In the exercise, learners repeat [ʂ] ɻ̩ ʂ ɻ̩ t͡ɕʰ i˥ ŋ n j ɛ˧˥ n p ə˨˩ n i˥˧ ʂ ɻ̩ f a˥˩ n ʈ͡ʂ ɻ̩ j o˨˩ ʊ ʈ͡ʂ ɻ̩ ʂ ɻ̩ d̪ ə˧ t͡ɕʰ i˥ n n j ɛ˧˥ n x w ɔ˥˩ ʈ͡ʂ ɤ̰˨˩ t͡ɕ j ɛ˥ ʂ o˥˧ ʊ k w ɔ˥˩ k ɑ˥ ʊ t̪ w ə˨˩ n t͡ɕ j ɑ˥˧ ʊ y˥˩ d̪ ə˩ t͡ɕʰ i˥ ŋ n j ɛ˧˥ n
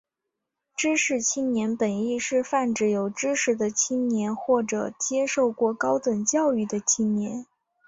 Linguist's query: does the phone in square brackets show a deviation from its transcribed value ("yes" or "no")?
yes